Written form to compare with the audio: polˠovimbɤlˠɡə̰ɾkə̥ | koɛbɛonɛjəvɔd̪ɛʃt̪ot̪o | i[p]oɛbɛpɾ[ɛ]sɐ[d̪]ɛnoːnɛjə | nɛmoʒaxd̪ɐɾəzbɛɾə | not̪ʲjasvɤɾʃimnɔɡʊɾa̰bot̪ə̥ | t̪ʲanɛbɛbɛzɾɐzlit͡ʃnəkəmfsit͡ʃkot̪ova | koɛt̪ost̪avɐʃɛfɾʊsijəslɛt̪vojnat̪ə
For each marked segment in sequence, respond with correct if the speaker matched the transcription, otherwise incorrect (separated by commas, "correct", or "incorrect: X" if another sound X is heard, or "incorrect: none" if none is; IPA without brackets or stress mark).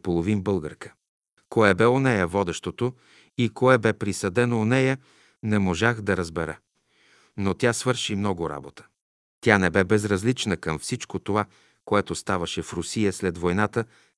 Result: incorrect: k, incorrect: i, correct